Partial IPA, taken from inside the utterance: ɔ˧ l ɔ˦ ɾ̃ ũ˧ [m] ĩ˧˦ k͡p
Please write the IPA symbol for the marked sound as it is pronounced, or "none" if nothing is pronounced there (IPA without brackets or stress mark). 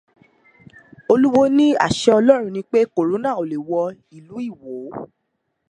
n